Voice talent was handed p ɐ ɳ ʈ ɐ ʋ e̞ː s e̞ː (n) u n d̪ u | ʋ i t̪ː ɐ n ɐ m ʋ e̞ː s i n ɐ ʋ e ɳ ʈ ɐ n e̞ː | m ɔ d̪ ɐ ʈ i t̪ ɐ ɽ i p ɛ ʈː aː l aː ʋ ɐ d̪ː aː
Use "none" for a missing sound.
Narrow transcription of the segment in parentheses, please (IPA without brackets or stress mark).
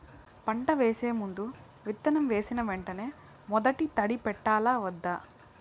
m